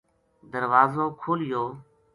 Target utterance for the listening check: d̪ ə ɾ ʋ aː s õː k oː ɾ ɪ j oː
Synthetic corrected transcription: d̪ ə ɾ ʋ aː z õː kʰ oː l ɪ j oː